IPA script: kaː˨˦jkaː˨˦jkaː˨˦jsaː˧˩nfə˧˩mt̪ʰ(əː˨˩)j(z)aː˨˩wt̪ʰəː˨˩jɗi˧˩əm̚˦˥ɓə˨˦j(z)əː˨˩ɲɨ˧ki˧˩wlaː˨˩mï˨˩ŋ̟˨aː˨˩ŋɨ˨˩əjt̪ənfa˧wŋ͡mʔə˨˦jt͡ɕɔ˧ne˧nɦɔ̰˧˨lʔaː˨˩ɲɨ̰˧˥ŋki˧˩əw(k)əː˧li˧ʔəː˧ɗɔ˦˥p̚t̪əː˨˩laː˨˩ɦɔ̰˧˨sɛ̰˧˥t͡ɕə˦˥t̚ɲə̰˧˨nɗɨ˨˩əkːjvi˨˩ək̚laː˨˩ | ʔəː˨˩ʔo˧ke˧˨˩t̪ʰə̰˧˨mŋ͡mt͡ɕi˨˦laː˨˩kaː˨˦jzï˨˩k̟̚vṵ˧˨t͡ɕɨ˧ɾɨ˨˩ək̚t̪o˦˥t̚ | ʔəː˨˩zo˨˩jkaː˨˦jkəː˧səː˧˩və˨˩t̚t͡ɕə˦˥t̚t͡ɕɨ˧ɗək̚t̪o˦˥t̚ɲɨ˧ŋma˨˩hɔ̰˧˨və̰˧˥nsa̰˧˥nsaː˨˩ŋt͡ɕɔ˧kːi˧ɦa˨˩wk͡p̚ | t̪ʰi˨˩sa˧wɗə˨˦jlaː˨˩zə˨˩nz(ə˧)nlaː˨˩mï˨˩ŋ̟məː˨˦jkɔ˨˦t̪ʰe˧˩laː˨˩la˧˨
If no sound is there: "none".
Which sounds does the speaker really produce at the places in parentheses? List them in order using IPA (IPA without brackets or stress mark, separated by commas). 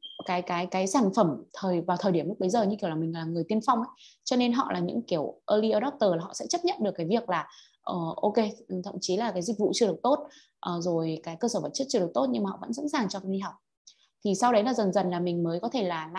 əː˨˩, v, z, ʔ, ə˨˩